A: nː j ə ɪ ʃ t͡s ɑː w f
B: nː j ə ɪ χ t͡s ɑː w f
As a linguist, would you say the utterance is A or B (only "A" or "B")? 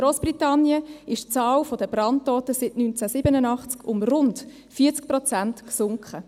A